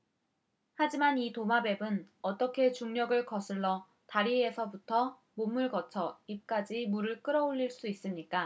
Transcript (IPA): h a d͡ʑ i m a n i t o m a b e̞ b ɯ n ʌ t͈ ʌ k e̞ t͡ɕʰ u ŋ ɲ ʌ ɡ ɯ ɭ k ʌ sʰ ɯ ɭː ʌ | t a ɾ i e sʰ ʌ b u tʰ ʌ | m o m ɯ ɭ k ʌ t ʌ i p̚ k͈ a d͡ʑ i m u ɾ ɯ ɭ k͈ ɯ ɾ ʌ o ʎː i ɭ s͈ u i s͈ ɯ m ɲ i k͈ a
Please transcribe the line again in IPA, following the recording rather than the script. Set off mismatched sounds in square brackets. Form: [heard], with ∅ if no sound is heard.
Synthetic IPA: h a d͡ʑ i m a n i t o m a b e̞ b ɯ n ʌ t͈ ʌ [kʰ] e̞ [t͡ɕ] u ŋ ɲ ʌ ɡ ɯ ɭ k ʌ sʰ ɯ ɭː ʌ | t a ɾ i e sʰ ʌ b u tʰ ʌ | m o m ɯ ɭ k ʌ [t͡ɕʰ] ʌ i p̚ k͈ a d͡ʑ i m u ɾ ɯ ɭ k͈ ɯ ɾ ʌ o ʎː i ɭ s͈ u i s͈ ɯ m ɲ i k͈ a

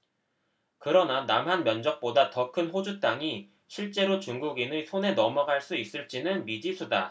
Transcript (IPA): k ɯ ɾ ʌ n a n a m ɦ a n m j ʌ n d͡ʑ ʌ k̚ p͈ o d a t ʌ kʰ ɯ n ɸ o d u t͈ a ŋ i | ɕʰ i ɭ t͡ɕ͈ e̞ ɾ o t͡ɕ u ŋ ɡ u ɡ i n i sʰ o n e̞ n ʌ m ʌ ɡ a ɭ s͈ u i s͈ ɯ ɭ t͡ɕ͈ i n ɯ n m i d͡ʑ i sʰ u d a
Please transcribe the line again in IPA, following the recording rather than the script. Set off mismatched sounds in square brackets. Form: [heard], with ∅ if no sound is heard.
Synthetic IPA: k ɯ ɾ ʌ n a n a m ɦ a n m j ʌ n d͡ʑ ʌ k̚ p͈ o d a t ʌ kʰ ɯ n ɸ o [d͡ʑ] u t͈ a ŋ i | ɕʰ i ɭ t͡ɕ͈ e̞ ɾ o t͡ɕ u ŋ ɡ u ɡ i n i sʰ o n e̞ n ʌ m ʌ ɡ a ɭ s͈ u i s͈ ɯ ɭ t͡ɕ͈ i n ɯ n m i d͡ʑ i sʰ u d a

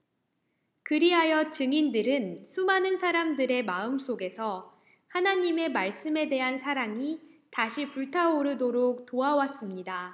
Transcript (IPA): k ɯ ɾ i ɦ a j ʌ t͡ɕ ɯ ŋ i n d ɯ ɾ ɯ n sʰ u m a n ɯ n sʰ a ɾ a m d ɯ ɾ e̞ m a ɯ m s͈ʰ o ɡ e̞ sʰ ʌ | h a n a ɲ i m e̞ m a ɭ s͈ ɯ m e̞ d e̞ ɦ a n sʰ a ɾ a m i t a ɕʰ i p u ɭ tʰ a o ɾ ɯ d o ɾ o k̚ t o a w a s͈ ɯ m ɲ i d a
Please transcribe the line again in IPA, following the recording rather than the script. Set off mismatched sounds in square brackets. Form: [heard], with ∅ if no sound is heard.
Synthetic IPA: k ɯ ɾ i ɦ a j ʌ t͡ɕ ɯ ŋ i n d ɯ ɾ ɯ n sʰ u m a n ɯ n sʰ a ɾ a m d ɯ ɾ e̞ m a ɯ m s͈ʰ o ɡ e̞ sʰ ʌ | h a n a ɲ i m e̞ m a ɭ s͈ ɯ m e̞ d e̞ ɦ a n sʰ a ɾ a [ŋ] i t a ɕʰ i p u ɭ tʰ a o ɾ ɯ d o ɾ o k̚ t o a w a s͈ ɯ m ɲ i d a

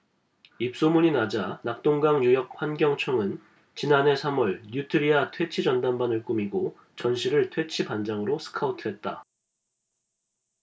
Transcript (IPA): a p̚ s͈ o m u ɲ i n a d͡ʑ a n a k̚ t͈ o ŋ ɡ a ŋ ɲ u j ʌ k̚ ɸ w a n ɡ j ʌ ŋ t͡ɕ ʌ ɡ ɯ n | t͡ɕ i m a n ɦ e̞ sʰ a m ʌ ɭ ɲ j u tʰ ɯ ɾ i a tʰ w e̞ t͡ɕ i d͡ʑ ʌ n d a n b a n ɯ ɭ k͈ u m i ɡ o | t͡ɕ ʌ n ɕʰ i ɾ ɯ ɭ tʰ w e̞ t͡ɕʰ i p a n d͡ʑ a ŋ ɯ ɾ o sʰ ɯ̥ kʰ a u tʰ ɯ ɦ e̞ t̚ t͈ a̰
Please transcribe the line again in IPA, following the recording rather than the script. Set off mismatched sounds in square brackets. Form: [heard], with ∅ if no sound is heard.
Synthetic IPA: [i] p̚ s͈ o m u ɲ i n a d͡ʑ a n a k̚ t͈ o ŋ ɡ a ŋ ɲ u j ʌ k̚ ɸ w a n ɡ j ʌ ŋ [t͡ɕʰ] ʌ [ŋ] ɯ n | t͡ɕ i [n] a n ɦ e̞ sʰ a m ʌ ɭ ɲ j u tʰ ɯ ɾ i a tʰ w e̞ [t͡ɕʰ] i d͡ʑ ʌ n d a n b a n ɯ ɭ k͈ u m i ɡ o | t͡ɕ ʌ n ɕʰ i ɾ ɯ ɭ tʰ w e̞ t͡ɕʰ i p a n d͡ʑ a ŋ ɯ ɾ o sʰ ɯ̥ kʰ a u tʰ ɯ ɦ e̞ t̚ t͈ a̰

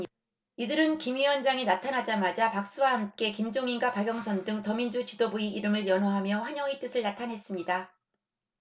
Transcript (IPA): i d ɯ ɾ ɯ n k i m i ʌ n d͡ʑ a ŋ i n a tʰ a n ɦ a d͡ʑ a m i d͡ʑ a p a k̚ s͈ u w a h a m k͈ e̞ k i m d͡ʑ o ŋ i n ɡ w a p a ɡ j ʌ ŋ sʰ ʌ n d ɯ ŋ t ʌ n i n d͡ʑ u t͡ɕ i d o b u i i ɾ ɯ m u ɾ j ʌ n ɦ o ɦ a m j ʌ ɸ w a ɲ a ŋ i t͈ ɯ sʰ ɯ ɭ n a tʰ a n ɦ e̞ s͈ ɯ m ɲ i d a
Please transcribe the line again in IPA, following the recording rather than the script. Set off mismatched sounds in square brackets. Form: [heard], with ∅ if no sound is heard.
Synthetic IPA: i d ɯ ɾ ɯ n k i m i ʌ n d͡ʑ a ŋ i n a tʰ a n ɦ a d͡ʑ a m [a] d͡ʑ a p a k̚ s͈ u w a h a m k͈ e̞ k i m d͡ʑ o ŋ i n ɡ w a p a ɡ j ʌ ŋ sʰ ʌ n d ɯ ŋ t ʌ [m] i n d͡ʑ u t͡ɕ i d o b u i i ɾ ɯ m [ɯ] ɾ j ʌ n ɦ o ɦ a m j ʌ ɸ w a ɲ [ʌ] ŋ i t͈ ɯ sʰ ɯ ɭ n a tʰ a n ɦ e̞ s͈ ɯ m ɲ i d a

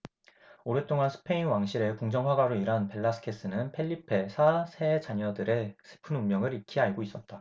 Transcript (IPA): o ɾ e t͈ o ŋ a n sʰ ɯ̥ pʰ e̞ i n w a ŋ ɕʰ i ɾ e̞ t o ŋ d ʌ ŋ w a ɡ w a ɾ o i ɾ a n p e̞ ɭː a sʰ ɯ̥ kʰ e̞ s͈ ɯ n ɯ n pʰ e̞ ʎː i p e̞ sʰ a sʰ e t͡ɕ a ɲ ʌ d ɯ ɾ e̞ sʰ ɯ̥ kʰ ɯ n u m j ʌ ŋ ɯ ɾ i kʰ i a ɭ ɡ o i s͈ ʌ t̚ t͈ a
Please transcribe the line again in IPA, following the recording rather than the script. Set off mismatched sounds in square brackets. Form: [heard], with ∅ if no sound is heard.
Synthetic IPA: o ɾ e t͈ o ŋ a n sʰ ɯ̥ pʰ e̞ i n w a ŋ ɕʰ i ɾ e̞ [k] o ŋ [d͡ʑ] ʌ ŋ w a ɡ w a ɾ o i ɾ a n p e̞ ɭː a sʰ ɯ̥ kʰ e̞ s͈ ɯ n ɯ n pʰ e̞ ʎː i [pʰ] e̞ sʰ a sʰ e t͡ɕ a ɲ ʌ d ɯ ɾ e̞ sʰ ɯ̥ [pʰ] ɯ n u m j ʌ ŋ ɯ ɾ i kʰ i a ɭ ɡ o i s͈ ʌ t̚ t͈ a

